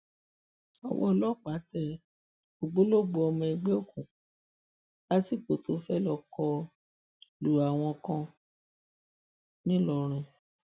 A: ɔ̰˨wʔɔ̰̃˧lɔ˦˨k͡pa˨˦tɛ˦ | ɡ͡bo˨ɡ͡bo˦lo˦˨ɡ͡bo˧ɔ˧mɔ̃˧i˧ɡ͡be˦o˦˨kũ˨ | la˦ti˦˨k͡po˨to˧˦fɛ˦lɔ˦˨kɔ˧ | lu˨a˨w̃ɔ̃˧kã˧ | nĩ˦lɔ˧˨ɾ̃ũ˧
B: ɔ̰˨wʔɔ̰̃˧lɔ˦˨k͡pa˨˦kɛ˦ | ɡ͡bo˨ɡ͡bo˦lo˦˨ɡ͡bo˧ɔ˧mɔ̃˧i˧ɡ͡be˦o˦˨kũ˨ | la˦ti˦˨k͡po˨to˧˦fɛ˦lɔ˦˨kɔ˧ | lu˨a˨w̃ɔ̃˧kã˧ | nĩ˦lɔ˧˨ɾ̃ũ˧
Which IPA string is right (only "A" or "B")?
A